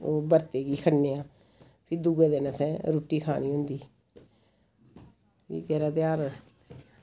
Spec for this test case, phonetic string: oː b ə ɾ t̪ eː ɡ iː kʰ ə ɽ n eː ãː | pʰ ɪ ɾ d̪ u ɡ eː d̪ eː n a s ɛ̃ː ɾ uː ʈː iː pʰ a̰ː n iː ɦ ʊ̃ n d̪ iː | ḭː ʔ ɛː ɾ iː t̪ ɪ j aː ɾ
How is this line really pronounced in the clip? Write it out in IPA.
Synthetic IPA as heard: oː b ə ɾ t̪ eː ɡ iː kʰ ə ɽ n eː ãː | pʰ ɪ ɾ d̪ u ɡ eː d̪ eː n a s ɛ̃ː ɾ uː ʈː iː kʰ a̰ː n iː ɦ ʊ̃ n d̪ iː | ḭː k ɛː ɾ aː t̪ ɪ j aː ɾ